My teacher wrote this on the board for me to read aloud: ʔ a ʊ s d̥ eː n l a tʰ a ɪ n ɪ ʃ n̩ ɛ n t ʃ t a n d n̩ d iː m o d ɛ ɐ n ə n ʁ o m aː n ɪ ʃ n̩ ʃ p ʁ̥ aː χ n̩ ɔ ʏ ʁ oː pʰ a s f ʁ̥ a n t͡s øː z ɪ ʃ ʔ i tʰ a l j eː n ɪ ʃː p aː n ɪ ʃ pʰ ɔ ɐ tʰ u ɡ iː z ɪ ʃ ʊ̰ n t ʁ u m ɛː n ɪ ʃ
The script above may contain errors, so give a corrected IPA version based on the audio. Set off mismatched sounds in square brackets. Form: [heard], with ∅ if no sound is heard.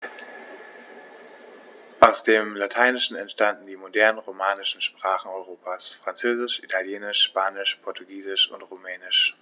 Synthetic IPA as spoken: ʔ a ʊ s d̥ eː [m] l a tʰ a ɪ n ɪ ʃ n̩ ɛ n t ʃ t a n d n̩ d iː m o d ɛ ɐ n ə n ʁ o m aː n ɪ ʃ n̩ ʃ p ʁ̥ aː χ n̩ ɔ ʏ ʁ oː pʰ a s f ʁ̥ a n t͡s øː z ɪ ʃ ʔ i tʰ a l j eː n ɪ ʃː p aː n ɪ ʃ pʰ ɔ ɐ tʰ u ɡ iː z ɪ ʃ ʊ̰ n t ʁ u m ɛː n ɪ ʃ